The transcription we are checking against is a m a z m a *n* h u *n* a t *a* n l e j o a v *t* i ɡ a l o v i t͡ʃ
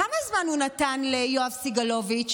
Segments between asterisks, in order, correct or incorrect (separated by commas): correct, correct, correct, incorrect